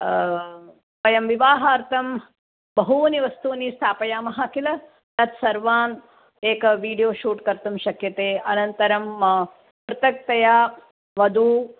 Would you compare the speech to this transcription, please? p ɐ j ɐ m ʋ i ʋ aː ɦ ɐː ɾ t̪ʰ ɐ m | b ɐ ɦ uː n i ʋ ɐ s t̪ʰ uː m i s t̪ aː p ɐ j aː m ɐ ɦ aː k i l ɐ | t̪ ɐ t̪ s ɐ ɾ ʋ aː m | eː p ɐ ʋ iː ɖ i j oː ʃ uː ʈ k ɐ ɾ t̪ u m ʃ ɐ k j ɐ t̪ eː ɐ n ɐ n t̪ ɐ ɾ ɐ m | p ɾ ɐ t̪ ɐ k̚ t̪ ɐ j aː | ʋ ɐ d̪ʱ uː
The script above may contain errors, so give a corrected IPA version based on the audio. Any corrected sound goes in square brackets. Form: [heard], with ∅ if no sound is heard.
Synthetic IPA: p ɐ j ɐ m ʋ i ʋ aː ɦ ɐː ɾ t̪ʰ ɐ m | b ɐ ɦ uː n i ʋ ɐ s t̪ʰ uː [n] i s [t̪ʰ] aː p ɐ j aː m ɐ ɦ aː k i l ɐ | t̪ ɐ t̪ s ɐ ɾ ʋ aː [n] | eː [k] ɐ ʋ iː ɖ i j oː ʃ uː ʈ k ɐ ɾ t̪ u m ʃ ɐ k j ɐ t̪ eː ɐ n ɐ n t̪ ɐ ɾ ɐ m | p ɾ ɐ t̪ ɐ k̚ t̪ ɐ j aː | ʋ ɐ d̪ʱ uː